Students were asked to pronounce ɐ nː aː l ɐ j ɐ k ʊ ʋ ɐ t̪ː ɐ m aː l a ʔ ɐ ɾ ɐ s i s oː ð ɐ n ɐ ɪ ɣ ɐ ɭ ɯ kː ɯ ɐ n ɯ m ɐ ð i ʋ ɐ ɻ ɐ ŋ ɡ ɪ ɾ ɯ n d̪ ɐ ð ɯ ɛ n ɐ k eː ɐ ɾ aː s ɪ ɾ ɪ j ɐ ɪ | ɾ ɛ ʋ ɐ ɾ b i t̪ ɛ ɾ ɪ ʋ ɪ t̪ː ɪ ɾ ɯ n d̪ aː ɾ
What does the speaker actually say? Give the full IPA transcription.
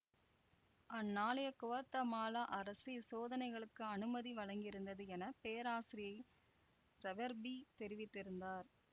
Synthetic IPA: ɐ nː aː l ɐ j ɐ k ʊ ʋ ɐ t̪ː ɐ m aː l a ʔ ɐ ɾ ɐ s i s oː ð ɐ n ɐ ɪ ɣ ɐ ɭ ɯ kː ɯ ɐ n ɯ m ɐ ð i ʋ ɐ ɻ ɐ ŋ ɡ ɪ ɾ ɯ n d̪ ɐ ð ɯ ɛ n ɐ p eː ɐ ɾ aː s ɪ ɾ ɪ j ɐ ɪ | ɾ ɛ ʋ ɐ ɾ b i t̪ ɛ ɾ ɪ ʋ ɪ t̪ː ɪ ɾ ɯ n d̪ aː ɾ